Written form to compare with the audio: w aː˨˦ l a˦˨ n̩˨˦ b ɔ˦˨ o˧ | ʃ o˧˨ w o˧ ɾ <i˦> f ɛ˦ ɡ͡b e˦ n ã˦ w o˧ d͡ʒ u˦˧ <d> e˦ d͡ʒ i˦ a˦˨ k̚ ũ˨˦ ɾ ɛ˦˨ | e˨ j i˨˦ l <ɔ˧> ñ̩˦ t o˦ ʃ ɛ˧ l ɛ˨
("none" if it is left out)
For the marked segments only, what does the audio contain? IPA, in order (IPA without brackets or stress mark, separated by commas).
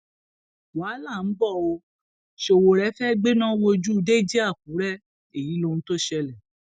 ɛ˦, d, o˧